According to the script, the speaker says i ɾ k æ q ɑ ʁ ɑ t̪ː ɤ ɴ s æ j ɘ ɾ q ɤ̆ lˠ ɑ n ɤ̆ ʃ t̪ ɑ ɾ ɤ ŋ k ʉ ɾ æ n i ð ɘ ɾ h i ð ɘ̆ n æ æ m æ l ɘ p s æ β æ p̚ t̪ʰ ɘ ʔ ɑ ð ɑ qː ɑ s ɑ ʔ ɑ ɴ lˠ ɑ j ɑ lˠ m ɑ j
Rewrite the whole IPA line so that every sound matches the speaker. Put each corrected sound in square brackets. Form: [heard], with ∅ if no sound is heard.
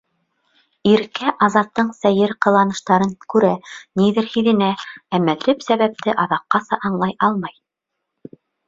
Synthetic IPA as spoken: i ɾ k æ [ʔ] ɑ [z] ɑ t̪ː ɤ ɴ s æ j ɘ ɾ q ɤ̆ lˠ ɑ n ɤ̆ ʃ t̪ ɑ ɾ ɤ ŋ k ʉ ɾ æ n i ð ɘ ɾ h i ð ɘ̆ n æ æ m æ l ɘ p s æ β æ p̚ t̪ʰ ɘ ʔ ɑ ð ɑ qː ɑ s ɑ ʔ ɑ ɴ lˠ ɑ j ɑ lˠ m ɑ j

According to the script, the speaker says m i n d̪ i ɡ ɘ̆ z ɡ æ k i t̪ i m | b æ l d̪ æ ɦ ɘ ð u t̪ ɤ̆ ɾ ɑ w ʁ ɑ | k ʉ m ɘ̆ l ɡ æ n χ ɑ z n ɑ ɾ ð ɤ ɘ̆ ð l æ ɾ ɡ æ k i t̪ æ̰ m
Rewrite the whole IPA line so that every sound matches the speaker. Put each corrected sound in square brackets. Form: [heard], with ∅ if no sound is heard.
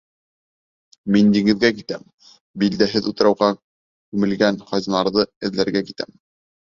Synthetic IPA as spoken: m i n d̪ i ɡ ɘ̆ [ð] ɡ æ k i t̪ [æ] m | b [i] l d̪ æ ɦ ɘ ð u t̪ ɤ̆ ɾ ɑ w ʁ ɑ | k ʉ m ɘ̆ l ɡ æ n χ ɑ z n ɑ ɾ ð ɤ ɘ̆ ð l æ ɾ ɡ æ k i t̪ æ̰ m

